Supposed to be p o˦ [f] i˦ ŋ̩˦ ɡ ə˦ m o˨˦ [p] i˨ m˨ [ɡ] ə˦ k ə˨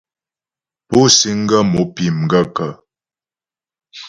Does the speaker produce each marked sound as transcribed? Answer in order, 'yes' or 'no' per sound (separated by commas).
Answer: no, yes, yes